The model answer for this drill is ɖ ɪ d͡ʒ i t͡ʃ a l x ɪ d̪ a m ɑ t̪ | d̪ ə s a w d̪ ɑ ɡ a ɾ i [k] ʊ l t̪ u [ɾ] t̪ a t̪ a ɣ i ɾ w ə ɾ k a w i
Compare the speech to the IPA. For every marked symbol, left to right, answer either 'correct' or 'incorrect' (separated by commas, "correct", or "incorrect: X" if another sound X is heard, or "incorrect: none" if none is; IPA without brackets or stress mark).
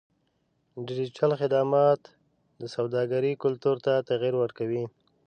correct, correct